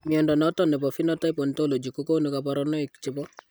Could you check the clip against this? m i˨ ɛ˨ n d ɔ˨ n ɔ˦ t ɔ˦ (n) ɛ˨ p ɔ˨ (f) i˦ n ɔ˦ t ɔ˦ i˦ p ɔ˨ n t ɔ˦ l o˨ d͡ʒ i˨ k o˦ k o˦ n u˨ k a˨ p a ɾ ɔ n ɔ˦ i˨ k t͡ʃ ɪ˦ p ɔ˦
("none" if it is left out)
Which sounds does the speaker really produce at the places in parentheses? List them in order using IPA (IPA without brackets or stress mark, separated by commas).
n, f